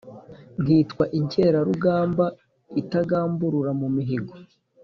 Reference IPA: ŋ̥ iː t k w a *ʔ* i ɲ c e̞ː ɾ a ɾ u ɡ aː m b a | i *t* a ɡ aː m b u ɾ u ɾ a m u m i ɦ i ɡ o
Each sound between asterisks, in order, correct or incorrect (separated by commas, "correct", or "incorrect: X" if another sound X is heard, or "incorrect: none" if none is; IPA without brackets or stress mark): correct, correct